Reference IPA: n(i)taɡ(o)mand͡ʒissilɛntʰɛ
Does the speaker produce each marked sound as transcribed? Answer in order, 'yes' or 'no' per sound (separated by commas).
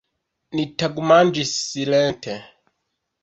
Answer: yes, no